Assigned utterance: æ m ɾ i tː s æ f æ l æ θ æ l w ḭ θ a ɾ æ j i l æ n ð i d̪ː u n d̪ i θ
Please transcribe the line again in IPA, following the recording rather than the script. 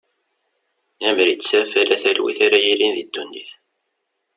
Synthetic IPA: æ m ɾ i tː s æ f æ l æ θ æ l w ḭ θ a ɾ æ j i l i n ð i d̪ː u n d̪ i θ